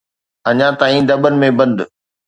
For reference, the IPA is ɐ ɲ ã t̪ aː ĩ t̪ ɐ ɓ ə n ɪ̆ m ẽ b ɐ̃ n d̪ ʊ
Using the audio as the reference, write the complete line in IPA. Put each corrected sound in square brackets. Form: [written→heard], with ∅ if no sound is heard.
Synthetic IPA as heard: ɐ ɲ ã t̪ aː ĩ [t̪→d̪] ɐ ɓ ə n ɪ̆ m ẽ b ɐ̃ n d̪ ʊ